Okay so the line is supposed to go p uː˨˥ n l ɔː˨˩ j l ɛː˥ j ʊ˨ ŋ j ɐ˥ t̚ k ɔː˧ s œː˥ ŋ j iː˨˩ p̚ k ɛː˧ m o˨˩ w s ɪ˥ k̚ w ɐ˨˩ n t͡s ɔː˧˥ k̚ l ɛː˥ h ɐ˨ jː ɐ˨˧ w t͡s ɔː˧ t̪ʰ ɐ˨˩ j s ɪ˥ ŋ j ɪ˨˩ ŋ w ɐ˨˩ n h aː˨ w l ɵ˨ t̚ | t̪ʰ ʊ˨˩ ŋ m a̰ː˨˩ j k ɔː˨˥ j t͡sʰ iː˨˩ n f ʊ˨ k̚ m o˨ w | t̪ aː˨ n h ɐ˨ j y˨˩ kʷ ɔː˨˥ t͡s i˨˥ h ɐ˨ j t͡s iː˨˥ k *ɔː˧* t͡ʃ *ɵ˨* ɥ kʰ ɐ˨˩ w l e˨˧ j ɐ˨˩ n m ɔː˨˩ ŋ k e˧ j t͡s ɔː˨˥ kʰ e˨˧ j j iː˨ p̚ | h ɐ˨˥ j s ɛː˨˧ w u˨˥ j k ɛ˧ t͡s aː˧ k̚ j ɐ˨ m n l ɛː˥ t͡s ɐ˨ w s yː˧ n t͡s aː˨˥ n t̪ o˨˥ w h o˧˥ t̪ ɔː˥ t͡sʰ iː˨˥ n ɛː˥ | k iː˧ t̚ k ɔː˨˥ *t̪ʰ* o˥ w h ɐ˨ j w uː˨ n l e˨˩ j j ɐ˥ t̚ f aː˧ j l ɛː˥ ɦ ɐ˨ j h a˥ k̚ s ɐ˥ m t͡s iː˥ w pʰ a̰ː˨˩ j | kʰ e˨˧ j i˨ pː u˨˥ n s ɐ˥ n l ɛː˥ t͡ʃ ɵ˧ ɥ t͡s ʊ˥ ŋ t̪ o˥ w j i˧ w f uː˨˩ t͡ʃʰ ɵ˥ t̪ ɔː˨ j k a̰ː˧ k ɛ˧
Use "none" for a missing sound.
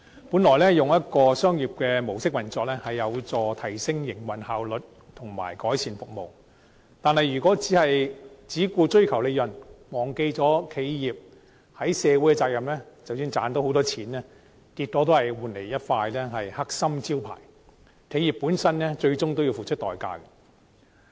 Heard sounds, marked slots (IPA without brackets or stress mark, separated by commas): uː˧, ɵ˥, t̪